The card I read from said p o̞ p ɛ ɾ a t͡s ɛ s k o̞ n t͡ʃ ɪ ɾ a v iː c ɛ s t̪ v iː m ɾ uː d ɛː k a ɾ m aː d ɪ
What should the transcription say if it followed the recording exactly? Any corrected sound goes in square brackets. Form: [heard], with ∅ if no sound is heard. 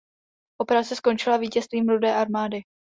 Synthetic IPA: [ʔ] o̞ p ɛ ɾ a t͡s ɛ s k o̞ n t͡ʃ ɪ [l] a v iː c ɛ s t̪ v iː m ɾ [u] d ɛː [ʔ] a ɾ m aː d ɪ